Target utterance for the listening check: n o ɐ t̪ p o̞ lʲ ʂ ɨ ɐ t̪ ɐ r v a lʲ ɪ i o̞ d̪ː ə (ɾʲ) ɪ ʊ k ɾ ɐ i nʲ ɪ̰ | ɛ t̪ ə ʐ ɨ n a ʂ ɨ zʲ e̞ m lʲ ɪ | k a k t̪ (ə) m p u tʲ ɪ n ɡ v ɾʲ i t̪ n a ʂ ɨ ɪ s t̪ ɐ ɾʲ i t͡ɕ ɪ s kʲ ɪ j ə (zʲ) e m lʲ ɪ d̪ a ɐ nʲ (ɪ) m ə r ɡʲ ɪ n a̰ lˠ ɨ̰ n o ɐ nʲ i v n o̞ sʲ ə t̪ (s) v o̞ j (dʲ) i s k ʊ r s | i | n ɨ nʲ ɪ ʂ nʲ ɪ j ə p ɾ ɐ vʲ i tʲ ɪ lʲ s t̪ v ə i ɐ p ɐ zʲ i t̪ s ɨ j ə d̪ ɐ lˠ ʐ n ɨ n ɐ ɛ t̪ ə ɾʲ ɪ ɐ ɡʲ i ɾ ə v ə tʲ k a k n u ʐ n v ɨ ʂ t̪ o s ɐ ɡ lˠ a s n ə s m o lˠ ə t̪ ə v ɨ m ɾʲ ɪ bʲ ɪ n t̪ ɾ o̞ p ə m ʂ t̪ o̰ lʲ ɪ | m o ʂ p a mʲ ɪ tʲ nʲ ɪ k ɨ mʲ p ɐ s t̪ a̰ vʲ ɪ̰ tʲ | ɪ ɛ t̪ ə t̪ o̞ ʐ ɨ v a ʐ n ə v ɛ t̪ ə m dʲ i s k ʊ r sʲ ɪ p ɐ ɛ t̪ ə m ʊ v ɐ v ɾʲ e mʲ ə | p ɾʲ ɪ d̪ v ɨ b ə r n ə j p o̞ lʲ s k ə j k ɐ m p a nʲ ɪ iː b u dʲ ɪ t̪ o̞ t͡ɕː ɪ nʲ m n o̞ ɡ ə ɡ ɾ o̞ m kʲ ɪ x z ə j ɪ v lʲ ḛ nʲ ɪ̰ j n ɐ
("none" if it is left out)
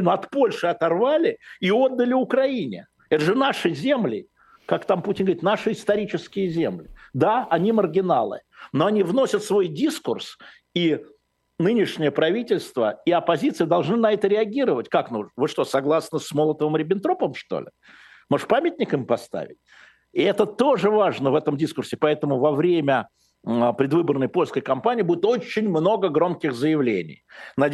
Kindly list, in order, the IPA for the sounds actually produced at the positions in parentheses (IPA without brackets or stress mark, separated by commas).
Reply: lʲ, a, zʲ, i, s, dʲ